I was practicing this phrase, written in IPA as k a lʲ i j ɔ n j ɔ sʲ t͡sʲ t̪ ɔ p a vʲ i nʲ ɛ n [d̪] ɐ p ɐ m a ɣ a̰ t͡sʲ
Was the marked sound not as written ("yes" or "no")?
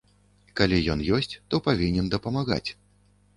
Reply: no